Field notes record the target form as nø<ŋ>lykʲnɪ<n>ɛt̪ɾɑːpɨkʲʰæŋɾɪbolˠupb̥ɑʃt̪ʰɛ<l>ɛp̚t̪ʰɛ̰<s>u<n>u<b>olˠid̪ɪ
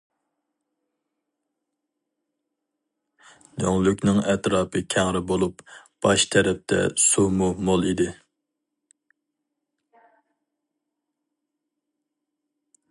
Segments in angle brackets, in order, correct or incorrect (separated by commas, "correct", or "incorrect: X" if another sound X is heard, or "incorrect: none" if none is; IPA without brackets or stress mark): correct, incorrect: ŋ, incorrect: ɾ, correct, incorrect: m, incorrect: m